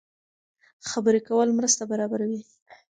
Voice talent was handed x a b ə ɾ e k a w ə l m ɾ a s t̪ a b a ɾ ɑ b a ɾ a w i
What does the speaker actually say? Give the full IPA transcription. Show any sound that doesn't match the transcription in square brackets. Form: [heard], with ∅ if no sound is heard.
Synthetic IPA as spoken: x a b ə ɾ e k a w ə l m ɾ [ə] s t̪ a b a ɾ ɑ b a ɾ a w i